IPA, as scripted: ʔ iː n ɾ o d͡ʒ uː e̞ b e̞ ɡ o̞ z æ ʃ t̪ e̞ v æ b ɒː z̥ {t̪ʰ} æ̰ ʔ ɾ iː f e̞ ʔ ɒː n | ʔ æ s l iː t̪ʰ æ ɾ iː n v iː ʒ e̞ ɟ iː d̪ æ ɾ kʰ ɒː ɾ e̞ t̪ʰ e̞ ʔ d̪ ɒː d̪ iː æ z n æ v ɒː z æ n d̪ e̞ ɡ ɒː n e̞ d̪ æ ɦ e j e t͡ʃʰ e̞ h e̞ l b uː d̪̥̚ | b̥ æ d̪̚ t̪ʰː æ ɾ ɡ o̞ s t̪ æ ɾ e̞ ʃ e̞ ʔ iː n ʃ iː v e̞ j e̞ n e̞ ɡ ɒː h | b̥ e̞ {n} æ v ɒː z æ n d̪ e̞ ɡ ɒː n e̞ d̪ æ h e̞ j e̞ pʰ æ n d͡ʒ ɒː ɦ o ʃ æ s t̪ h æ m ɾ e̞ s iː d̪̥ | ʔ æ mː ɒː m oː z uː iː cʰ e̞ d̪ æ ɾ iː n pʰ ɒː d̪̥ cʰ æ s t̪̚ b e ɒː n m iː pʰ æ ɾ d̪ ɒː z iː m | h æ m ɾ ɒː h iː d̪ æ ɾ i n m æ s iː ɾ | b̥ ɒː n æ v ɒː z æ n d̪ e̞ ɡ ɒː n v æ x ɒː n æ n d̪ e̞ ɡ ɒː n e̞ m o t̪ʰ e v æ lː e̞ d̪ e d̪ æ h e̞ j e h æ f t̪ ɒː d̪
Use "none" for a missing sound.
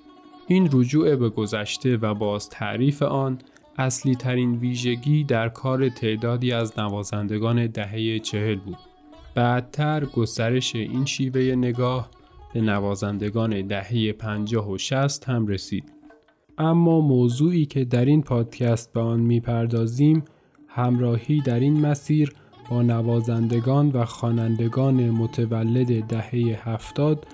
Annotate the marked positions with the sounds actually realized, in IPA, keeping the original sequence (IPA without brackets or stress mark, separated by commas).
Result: t̪ʰ, n